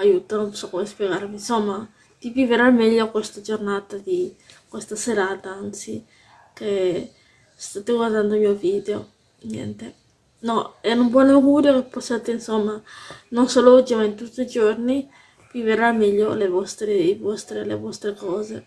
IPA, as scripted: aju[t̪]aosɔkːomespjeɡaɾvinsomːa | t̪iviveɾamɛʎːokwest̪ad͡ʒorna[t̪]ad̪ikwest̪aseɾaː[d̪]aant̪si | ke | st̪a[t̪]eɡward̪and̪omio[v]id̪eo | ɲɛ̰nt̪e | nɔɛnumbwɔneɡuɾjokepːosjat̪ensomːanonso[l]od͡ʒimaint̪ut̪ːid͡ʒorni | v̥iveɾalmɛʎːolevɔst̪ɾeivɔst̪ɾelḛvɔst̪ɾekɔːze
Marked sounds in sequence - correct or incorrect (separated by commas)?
correct, correct, incorrect, correct, correct, correct